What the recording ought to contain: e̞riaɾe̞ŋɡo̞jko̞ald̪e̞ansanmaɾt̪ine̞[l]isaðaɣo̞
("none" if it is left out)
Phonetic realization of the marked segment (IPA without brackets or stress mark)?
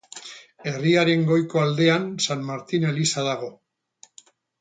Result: l